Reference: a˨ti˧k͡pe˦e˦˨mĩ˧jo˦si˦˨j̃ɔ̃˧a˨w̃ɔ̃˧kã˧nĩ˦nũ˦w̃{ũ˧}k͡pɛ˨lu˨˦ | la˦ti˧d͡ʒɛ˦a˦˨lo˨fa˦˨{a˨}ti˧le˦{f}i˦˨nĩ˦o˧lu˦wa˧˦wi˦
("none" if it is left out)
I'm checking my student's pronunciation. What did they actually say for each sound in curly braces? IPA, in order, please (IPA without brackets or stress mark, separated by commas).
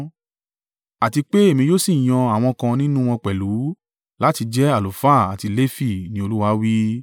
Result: ɔ̃˧, a˨, f